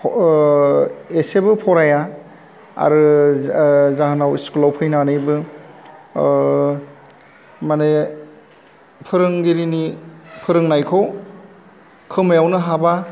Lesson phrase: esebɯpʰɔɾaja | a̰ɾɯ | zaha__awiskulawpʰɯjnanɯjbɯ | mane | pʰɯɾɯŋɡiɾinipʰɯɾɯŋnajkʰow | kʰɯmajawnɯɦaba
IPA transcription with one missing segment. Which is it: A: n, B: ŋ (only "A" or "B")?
A